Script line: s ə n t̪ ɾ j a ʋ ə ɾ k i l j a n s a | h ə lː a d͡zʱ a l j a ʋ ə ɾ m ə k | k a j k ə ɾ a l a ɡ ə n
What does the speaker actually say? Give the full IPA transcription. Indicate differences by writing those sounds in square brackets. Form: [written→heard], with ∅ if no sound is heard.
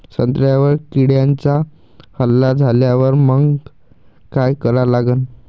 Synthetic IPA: s ə n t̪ ɾ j a ʋ ə ɾ k i [l→ɽ] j a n [s→t͡s] a | h ə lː a d͡zʱ a l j a ʋ ə ɾ m ə [k→ɡ] | k a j k ə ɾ a l a ɡ ə n